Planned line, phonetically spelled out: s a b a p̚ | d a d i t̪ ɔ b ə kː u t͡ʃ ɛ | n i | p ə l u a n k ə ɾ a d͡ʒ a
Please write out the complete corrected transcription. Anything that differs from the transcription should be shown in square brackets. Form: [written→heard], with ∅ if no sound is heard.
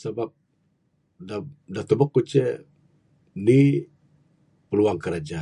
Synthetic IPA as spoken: s a b a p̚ | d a d [i→a] t̪ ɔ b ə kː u t͡ʃ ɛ | n i | p ə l u a [n→ŋ] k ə ɾ a d͡ʒ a